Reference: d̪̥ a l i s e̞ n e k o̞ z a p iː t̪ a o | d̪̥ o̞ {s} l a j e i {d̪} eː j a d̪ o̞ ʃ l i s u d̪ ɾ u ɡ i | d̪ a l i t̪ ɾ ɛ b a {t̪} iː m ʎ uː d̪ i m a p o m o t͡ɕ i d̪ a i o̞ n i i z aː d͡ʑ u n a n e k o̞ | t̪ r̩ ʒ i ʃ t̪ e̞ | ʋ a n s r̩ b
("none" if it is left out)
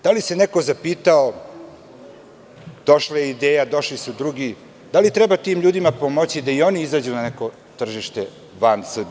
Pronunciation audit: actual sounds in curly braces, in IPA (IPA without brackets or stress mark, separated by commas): ʃ, d̪, t̪